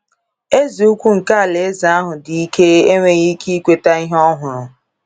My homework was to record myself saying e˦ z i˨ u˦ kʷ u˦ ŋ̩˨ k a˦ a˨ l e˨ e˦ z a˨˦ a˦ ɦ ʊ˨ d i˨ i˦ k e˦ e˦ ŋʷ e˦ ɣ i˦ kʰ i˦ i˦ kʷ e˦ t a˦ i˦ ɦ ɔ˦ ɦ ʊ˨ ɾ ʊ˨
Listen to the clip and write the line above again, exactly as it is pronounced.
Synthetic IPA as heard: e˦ z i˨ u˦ kʷ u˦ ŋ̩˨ k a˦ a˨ l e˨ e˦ z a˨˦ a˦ ɦ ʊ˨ d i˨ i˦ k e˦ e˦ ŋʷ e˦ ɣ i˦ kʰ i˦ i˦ kʷ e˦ t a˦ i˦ ɦ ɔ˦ ɦ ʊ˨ ɾ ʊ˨